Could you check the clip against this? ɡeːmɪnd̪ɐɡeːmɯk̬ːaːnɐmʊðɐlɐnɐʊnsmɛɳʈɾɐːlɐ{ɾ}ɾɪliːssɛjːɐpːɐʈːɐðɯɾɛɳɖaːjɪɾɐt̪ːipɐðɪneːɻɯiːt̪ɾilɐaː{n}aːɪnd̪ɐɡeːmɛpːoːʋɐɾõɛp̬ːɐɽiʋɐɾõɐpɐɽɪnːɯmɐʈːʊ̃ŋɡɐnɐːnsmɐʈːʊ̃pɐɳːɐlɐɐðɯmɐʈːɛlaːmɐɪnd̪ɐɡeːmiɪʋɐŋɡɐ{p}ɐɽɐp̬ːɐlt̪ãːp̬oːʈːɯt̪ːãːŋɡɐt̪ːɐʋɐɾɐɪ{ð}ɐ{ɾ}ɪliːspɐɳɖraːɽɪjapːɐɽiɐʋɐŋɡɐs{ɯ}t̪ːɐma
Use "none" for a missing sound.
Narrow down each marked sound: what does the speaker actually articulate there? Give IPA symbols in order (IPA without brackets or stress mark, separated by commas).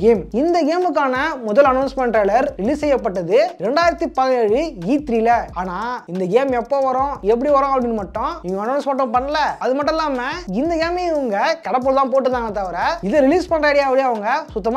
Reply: ɾ, n, k, ð, ɾ, ʊ